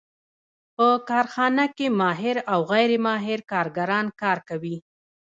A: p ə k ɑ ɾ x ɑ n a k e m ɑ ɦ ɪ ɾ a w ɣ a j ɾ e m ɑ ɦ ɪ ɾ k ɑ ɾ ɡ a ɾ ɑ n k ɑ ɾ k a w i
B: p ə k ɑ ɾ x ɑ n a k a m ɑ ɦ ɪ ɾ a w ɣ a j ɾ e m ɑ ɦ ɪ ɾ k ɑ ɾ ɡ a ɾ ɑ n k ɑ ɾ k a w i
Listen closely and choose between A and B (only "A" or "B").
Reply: A